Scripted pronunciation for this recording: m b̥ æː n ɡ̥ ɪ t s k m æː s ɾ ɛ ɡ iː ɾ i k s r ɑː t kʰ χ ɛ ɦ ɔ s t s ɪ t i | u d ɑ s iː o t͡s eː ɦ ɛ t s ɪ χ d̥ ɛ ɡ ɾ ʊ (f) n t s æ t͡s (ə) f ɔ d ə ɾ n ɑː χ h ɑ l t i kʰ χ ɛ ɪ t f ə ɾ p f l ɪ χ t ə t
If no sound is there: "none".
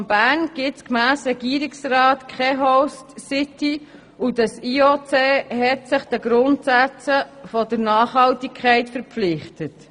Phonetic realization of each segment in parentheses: none, ə

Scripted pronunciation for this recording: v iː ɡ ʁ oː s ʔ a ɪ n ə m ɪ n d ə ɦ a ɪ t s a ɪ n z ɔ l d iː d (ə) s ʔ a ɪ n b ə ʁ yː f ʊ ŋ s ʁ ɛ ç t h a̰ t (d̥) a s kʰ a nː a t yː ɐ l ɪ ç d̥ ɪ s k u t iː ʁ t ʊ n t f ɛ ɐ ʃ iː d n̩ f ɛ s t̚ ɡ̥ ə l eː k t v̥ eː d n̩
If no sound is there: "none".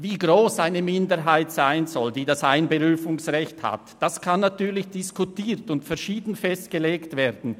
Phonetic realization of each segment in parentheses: a, d̥

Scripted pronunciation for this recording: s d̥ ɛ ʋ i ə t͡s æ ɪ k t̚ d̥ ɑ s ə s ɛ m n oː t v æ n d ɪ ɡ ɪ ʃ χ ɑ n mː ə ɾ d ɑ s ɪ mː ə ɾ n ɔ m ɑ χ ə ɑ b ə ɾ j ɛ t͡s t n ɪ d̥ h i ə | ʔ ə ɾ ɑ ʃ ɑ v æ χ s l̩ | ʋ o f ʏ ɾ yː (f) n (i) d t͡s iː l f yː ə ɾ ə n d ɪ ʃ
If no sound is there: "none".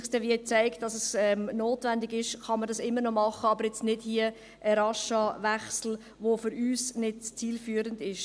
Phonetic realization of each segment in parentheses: s, ɪ

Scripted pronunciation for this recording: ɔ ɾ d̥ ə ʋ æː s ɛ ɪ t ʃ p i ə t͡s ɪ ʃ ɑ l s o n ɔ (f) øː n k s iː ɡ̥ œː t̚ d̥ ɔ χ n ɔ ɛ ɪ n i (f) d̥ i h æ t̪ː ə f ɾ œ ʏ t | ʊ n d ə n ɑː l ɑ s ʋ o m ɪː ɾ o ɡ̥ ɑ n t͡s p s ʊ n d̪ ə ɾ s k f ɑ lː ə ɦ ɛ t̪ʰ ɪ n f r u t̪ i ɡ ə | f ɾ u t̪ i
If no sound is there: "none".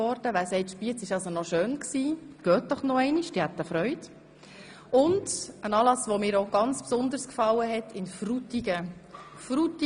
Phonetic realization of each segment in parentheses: ʃ, ʃ

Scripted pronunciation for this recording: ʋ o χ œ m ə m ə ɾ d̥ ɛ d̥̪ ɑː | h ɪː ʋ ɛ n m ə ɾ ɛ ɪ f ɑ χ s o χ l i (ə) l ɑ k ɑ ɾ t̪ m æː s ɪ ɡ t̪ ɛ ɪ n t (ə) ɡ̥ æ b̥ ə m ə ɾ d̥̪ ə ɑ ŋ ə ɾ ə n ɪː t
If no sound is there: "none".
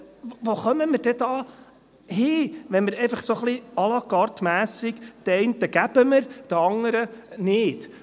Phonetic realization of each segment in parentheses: ɑ, ə

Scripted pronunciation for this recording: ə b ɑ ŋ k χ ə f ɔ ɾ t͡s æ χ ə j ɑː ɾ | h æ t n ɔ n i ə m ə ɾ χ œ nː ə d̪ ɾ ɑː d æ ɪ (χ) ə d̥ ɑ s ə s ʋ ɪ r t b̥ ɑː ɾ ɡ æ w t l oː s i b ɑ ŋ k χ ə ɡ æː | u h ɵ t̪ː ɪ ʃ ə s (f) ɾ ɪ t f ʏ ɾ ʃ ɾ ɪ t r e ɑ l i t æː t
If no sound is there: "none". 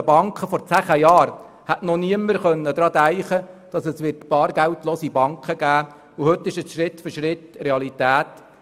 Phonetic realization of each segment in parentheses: χ, ʃ

